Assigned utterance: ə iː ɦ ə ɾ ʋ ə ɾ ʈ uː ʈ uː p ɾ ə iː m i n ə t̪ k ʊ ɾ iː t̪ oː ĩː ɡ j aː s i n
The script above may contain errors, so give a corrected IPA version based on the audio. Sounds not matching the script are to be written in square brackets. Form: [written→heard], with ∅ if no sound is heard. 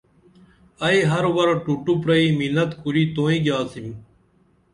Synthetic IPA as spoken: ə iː ɦ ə ɾ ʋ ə ɾ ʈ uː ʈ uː p ɾ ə iː m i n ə t̪ k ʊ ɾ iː t̪ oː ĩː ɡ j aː s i [n→m]